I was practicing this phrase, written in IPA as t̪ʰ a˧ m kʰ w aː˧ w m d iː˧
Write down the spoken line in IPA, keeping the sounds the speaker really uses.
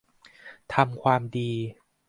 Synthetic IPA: t̪ʰ a˧ m kʰ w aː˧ m d iː˧